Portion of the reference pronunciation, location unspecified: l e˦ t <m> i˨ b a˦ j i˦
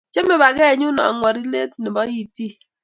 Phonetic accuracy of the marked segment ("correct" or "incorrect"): incorrect